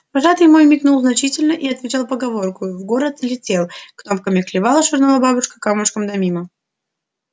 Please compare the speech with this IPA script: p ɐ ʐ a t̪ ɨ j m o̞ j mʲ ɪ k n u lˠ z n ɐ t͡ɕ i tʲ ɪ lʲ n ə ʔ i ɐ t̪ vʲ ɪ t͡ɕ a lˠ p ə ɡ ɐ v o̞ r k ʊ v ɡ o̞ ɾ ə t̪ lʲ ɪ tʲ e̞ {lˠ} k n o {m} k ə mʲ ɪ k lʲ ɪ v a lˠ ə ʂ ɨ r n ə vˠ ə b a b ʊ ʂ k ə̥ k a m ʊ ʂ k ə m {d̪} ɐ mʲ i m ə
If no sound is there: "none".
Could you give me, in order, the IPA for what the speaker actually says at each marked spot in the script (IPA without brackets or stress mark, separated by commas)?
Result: lˠ, m, d̪